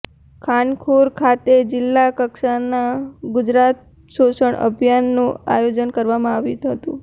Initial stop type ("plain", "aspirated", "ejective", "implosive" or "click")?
aspirated